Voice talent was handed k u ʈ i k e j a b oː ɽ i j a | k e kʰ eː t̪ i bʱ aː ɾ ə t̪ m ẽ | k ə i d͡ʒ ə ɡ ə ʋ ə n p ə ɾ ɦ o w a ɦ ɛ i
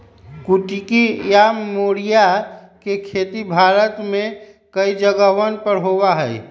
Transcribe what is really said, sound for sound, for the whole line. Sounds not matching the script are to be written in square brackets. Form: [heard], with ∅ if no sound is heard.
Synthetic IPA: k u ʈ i k [i] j a [m] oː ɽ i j a | k e kʰ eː t̪ i bʱ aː ɾ ə t̪ m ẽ | k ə i d͡ʒ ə ɡ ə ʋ ə n p ə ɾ ɦ o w a ɦ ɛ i

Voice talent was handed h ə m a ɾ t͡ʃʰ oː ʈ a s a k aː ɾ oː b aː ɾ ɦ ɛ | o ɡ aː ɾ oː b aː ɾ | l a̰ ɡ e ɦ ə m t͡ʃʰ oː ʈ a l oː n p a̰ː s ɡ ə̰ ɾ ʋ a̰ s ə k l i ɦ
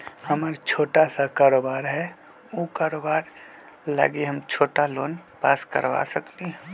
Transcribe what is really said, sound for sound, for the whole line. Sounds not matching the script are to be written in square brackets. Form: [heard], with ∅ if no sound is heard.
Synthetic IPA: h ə m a ɾ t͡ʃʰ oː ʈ a s a k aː ɾ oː b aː ɾ ɦ ɛ | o [k] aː ɾ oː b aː ɾ | l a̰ ɡ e ɦ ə m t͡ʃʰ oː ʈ a l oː n p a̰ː s [k] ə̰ ɾ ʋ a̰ s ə k l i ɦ

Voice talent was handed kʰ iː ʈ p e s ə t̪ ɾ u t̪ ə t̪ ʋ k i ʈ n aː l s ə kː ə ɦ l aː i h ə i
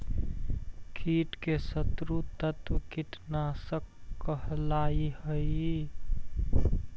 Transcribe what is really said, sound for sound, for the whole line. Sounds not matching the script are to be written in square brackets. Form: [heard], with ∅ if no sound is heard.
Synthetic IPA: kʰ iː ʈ [k] e s ə t̪ ɾ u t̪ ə t̪ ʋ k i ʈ n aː [∅] s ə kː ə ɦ l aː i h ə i

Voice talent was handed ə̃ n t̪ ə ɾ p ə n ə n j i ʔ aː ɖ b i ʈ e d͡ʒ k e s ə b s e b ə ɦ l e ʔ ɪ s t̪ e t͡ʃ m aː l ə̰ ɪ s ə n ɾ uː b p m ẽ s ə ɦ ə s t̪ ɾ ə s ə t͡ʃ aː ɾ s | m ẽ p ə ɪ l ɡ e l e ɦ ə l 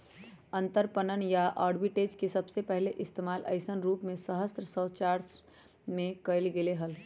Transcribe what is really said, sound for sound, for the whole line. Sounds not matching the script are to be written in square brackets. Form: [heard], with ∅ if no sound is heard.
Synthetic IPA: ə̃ n t̪ ə ɾ p ə n ə n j [a] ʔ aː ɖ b i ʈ e d͡ʒ k e s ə b s e [p] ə ɦ l e ʔ ɪ s t̪ e [∅] m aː l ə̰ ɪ s ə n ɾ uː [∅] p m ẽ s ə ɦ ə s t̪ ɾ ə s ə t͡ʃ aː ɾ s | m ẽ [k] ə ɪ l ɡ e l e ɦ ə l

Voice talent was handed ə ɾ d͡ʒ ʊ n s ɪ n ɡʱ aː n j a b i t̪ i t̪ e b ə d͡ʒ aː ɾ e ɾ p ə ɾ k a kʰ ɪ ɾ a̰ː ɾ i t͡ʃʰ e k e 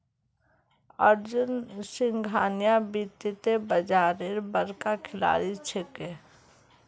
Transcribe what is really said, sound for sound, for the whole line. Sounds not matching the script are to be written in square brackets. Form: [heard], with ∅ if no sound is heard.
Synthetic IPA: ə ɾ d͡ʒ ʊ n s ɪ [ŋ] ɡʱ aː n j a b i t̪ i t̪ e b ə d͡ʒ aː ɾ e ɾ [b] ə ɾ k a kʰ ɪ [l] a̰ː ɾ i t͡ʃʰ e k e

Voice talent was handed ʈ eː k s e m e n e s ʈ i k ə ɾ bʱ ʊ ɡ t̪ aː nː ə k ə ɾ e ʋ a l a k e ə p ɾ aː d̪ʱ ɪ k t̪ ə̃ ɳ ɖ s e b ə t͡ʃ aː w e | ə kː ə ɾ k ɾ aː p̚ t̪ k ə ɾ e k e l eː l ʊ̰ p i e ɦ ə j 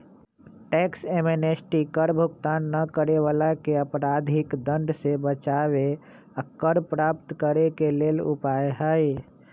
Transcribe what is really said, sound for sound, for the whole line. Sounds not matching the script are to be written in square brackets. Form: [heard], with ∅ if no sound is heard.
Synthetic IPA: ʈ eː k s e m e n e s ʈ i k ə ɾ bʱ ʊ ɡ t̪ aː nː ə k ə ɾ e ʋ a l a k e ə p ɾ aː d̪ʱ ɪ k [d̪] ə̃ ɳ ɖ s e b ə t͡ʃ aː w e | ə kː ə ɾ [p] ɾ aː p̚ t̪ k ə ɾ e k e l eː l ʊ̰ p [a] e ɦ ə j

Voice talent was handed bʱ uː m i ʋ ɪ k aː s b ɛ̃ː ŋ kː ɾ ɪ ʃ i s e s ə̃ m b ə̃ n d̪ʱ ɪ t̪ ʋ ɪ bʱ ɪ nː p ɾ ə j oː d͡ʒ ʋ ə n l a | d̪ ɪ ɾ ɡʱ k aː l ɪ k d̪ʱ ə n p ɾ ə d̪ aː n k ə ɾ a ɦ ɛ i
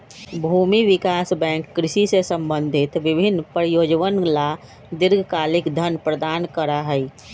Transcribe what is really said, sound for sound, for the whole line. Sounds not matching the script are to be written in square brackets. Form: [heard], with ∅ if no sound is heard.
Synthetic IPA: bʱ uː m i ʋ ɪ k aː s b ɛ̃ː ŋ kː ɾ ɪ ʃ i s e s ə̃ m b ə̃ n d̪ʱ ɪ t̪ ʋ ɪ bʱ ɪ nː p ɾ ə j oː d͡ʒ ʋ ə n l a | d̪ ɪ ɾ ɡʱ k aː l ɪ k d̪ʱ ə n p ɾ ə d̪ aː n k ə ɾ a ɦ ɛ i

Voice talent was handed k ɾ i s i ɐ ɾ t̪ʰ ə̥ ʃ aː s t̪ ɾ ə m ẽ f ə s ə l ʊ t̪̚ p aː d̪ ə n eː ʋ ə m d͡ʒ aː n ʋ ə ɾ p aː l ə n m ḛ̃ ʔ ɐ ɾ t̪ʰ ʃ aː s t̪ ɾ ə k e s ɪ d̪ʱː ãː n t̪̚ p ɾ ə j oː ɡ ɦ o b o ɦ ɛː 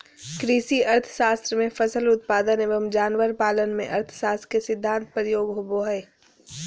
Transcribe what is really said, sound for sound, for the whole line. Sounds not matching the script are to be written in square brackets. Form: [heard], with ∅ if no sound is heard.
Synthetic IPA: k ɾ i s i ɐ ɾ t̪ʰ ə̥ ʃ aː s t̪ ɾ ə m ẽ f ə s ə l ʊ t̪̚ p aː d̪ ə n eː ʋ ə m d͡ʒ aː n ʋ ə ɾ p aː l ə n m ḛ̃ ʔ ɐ ɾ t̪ʰ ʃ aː s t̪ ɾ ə k e s ɪ d̪ʱː ãː n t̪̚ p ɾ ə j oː ɡ ɦ o b o ɦ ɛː

